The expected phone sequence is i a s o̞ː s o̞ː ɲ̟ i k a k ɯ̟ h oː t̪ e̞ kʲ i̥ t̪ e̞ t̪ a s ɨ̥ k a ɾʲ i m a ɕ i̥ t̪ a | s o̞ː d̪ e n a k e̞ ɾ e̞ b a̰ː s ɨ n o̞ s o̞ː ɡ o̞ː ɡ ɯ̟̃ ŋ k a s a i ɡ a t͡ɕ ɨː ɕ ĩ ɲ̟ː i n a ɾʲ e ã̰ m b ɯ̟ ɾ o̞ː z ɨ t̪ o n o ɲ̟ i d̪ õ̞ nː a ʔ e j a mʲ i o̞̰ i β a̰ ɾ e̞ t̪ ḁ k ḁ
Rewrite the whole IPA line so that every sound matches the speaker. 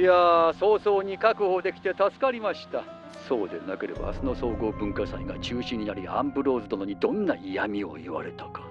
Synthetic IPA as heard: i a s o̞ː s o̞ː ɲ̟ i k a k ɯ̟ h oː d̪ e̞ kʲ i̥ t̪ e̞ t̪ a s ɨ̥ k a ɾʲ i m a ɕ i̥ t̪ a | s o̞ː d̪ e n a k e̞ ɾ e̞ b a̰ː s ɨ n o̞ s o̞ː ɡ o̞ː b ɯ̟̃ ŋ k a s a i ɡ a t͡ɕ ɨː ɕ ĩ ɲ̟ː i n a ɾʲ i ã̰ m b ɯ̟ ɾ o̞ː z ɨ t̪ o n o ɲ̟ i d̪ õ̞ nː a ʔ i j a mʲ i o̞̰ i β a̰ ɾ e̞ t̪ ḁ k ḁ